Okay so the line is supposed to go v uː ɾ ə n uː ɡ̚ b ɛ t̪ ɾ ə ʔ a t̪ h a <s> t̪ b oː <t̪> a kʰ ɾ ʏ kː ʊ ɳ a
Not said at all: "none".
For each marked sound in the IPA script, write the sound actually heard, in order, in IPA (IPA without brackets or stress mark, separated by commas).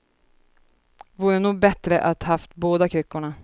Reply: f, d̪